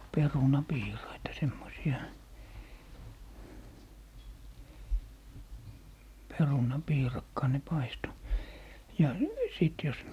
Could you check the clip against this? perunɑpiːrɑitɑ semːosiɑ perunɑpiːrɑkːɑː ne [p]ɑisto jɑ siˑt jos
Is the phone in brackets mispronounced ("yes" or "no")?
no